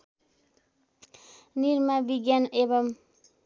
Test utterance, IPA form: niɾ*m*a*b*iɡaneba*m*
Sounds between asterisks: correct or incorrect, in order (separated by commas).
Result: correct, correct, correct